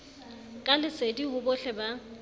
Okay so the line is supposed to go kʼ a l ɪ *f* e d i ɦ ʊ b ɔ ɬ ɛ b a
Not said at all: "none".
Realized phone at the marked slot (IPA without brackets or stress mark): s